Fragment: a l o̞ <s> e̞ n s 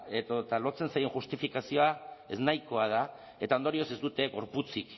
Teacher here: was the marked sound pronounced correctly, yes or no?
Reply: no